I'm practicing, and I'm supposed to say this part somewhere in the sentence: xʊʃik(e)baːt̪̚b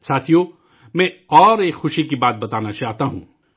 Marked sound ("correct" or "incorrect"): incorrect